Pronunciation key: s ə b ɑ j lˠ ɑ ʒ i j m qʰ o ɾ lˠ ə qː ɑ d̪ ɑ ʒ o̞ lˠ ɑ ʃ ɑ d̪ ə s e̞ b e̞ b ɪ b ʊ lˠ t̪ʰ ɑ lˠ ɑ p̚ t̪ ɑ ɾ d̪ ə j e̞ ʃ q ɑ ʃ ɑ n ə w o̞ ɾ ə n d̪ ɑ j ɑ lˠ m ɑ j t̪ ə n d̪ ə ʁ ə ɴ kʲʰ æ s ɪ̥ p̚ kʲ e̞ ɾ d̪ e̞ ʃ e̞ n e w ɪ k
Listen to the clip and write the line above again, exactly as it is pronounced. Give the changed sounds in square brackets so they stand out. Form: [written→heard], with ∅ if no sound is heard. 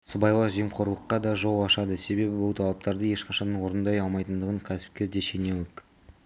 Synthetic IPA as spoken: s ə b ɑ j lˠ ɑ ʒ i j m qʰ o ɾ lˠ ə qː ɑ d̪ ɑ ʒ o̞ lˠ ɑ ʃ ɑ d̪ ə s e̞ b e̞ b ɪ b ʊ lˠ t̪ʰ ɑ lˠ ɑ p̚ t̪ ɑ ɾ d̪ ə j e̞ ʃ q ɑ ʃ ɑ n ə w o̞ ɾ ə n d̪ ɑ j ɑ lˠ m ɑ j t̪ ə n d̪ ə ʁ ə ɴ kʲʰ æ s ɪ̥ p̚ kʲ e̞ ɾ d̪ e̞ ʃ e̞ n e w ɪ k